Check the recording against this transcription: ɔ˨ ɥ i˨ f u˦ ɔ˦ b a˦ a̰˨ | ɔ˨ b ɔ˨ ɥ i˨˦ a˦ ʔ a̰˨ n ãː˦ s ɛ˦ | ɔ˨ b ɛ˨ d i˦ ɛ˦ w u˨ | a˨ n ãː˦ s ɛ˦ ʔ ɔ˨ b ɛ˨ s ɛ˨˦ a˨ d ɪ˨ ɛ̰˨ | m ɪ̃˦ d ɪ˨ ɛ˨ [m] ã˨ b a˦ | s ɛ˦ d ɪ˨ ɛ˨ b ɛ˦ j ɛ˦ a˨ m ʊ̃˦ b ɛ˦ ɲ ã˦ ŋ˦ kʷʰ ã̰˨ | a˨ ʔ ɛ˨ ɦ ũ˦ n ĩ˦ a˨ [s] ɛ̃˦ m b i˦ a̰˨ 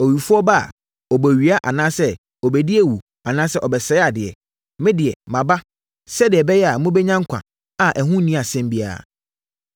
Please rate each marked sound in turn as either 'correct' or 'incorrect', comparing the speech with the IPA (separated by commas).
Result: correct, correct